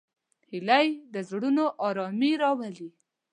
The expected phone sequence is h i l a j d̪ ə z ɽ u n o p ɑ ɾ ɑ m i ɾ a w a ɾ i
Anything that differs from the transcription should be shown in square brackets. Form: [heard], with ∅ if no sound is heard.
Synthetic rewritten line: h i l a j d̪ ə z ɽ u n o [ʔ] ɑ ɾ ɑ m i ɾ [ɑ] w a [l] i